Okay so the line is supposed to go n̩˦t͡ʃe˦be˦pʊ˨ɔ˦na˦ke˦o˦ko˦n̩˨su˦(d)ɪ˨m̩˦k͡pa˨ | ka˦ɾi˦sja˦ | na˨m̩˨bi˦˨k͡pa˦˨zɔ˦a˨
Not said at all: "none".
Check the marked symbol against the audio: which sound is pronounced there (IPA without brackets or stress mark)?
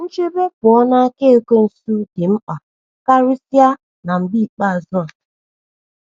d